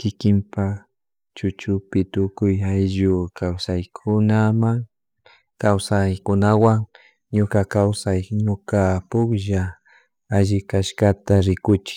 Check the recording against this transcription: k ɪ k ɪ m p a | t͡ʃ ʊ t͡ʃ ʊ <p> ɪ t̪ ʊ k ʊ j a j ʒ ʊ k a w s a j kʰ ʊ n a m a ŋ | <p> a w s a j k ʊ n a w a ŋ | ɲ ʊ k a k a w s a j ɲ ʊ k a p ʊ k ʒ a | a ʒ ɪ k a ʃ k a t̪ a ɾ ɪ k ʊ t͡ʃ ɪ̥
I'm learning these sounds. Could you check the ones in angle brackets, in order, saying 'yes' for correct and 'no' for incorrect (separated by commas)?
yes, no